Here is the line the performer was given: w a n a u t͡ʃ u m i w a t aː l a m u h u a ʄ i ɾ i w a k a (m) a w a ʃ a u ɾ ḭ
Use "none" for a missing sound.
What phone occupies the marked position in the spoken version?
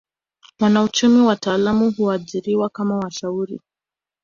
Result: m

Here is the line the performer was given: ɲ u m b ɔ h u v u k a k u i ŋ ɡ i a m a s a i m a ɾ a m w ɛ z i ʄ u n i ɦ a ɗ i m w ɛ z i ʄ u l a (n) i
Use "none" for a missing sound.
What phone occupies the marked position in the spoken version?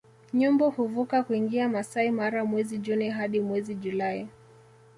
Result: none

